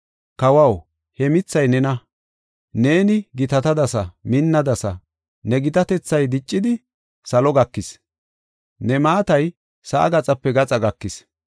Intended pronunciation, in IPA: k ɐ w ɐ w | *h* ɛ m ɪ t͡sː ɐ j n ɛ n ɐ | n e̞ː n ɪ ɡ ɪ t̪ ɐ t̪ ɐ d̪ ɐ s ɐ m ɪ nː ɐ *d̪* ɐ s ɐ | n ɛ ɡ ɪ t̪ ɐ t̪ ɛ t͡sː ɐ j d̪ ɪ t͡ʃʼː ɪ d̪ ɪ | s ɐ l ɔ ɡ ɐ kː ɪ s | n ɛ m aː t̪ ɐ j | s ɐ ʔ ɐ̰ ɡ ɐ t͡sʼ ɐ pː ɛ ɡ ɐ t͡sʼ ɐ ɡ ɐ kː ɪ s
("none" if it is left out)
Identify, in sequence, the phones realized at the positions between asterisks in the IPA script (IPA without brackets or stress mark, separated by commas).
h, d̪